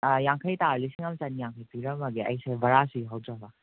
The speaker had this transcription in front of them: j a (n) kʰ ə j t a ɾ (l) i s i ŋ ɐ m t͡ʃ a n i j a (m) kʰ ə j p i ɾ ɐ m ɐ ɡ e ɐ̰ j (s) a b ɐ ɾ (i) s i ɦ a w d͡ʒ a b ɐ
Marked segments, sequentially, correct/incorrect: incorrect, correct, incorrect, correct, incorrect

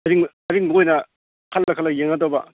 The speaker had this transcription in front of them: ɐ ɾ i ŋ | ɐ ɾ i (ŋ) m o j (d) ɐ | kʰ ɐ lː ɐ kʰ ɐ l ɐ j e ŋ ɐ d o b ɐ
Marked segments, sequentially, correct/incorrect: correct, incorrect

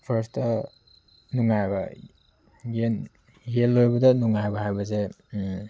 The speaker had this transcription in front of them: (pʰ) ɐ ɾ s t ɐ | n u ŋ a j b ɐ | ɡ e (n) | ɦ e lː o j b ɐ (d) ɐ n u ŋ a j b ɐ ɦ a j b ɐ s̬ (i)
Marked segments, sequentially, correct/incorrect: correct, correct, correct, incorrect

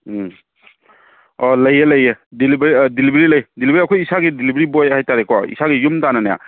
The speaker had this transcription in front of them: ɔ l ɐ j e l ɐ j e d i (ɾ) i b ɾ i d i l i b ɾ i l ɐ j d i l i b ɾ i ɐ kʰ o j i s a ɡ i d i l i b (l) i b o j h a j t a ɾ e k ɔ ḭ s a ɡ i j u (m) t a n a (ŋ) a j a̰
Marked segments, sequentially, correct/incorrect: incorrect, incorrect, correct, incorrect

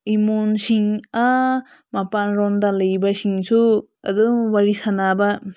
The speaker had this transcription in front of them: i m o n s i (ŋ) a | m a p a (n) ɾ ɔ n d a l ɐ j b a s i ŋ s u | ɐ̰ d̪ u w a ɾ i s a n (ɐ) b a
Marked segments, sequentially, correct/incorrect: correct, correct, incorrect

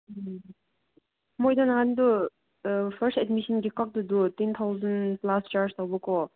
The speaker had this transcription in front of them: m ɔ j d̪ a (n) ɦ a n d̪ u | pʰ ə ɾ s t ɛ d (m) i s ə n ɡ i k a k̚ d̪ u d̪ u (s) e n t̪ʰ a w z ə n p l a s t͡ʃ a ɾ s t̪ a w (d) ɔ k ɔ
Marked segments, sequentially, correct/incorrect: correct, correct, incorrect, incorrect

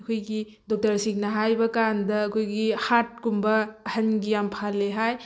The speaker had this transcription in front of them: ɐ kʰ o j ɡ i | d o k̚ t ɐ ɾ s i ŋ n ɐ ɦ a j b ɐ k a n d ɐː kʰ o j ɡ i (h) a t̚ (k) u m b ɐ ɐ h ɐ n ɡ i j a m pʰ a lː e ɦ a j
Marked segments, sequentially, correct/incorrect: correct, correct

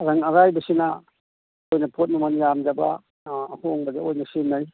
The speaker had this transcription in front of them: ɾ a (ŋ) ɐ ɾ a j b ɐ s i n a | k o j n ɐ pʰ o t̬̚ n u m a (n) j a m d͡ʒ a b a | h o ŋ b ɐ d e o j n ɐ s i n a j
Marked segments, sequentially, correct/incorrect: correct, correct

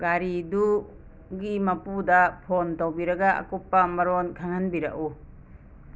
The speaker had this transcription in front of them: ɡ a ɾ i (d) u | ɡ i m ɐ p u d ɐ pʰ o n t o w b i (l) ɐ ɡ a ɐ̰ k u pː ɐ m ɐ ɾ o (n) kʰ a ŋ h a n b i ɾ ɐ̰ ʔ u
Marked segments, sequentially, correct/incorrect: correct, incorrect, correct

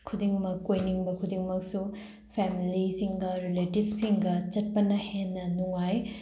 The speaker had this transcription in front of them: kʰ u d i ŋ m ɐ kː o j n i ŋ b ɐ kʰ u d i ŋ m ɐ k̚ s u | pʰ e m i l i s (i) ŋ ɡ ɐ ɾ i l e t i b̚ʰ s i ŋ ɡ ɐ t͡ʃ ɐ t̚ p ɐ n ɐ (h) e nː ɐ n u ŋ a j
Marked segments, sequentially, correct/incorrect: correct, correct

